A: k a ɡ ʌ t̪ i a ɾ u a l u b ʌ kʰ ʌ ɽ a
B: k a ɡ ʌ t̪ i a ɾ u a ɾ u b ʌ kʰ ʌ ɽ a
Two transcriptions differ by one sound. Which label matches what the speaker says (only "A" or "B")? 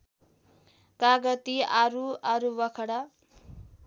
B